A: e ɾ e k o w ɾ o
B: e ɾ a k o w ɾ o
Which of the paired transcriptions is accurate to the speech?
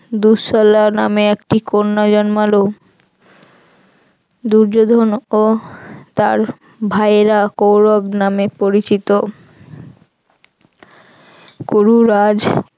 B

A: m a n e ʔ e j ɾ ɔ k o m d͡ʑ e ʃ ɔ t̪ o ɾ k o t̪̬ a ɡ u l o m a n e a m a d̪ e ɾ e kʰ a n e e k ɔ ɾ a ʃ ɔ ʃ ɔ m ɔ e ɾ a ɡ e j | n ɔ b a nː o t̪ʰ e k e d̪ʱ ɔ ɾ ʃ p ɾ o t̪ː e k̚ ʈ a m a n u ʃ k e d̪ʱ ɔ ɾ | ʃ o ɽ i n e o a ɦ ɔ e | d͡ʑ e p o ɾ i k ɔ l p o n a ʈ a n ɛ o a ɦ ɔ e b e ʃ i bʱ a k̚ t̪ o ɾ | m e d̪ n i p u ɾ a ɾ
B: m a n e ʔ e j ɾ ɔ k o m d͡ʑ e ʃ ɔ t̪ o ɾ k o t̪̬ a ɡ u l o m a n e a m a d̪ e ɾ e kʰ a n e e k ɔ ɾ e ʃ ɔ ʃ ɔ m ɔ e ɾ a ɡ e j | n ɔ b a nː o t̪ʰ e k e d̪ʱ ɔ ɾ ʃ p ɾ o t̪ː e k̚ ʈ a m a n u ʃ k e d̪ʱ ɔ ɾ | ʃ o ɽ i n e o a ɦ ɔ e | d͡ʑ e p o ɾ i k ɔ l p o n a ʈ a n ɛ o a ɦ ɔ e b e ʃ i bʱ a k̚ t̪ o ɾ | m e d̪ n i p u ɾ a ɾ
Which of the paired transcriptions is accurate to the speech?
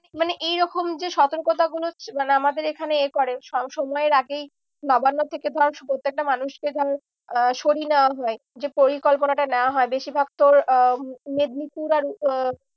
B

